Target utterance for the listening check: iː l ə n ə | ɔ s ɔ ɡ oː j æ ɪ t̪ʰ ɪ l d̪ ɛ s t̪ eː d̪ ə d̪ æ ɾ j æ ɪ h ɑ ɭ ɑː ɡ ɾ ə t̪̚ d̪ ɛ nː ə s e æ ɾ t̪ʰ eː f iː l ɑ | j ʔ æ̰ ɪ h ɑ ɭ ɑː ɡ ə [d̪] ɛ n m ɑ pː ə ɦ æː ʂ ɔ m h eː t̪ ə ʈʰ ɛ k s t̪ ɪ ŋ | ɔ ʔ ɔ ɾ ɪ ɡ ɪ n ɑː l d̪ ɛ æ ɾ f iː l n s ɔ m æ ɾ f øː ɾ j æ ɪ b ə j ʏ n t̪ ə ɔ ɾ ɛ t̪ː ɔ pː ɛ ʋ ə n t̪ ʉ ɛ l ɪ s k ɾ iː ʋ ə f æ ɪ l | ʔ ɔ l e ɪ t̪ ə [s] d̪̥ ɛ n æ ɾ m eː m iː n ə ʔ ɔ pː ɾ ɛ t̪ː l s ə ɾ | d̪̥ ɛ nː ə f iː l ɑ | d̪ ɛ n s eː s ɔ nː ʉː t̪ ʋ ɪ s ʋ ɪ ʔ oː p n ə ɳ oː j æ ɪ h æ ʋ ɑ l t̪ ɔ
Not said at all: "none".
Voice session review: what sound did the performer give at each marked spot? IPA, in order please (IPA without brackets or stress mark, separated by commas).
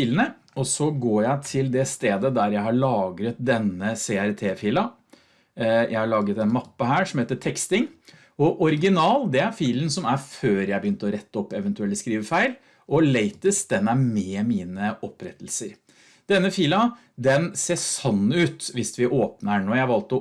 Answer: t̪, s